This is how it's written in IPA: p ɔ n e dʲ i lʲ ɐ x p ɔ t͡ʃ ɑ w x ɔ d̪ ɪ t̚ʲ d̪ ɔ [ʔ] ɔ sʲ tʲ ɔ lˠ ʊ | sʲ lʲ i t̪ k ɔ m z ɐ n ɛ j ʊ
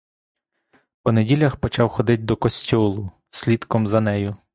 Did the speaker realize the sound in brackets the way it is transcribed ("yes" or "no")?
no